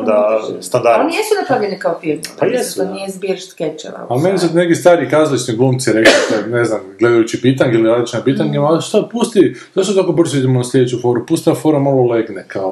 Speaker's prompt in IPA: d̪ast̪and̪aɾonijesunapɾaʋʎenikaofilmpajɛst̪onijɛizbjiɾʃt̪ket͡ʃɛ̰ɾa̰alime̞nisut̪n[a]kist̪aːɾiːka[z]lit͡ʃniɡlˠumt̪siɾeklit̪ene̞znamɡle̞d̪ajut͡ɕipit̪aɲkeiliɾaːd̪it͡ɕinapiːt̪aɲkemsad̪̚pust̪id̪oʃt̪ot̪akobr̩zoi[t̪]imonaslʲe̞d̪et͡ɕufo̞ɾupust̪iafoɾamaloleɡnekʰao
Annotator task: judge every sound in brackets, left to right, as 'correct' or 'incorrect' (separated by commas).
incorrect, correct, incorrect